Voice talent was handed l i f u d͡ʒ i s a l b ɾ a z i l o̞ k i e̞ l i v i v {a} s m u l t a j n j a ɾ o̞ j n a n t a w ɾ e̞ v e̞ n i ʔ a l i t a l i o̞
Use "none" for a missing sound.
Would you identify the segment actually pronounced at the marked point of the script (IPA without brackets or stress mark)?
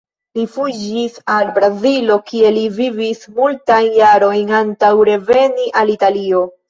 i